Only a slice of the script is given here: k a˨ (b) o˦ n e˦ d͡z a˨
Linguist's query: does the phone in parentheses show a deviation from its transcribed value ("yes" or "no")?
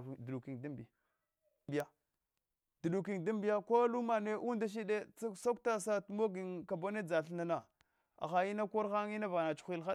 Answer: no